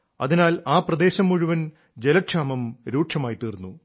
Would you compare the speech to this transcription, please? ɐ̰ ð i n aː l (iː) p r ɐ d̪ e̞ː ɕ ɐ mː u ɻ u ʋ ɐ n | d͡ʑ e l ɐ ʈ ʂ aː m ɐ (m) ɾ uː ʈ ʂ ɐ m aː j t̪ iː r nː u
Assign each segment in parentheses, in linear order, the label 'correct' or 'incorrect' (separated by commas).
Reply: incorrect, correct